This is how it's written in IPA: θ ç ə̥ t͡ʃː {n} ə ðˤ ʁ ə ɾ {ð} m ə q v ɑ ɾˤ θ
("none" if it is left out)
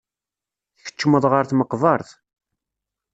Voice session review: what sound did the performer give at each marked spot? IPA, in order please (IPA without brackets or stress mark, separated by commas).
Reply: m, θ